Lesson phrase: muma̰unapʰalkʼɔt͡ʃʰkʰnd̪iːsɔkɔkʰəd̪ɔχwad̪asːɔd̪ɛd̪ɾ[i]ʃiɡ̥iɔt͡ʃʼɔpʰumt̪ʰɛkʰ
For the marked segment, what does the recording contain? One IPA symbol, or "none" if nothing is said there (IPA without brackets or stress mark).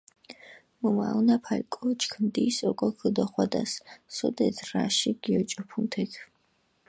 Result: a